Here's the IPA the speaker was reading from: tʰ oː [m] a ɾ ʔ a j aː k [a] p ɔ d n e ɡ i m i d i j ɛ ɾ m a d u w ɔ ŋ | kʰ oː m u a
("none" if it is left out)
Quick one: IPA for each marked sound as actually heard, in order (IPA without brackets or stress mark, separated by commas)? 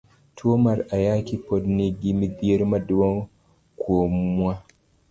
m, i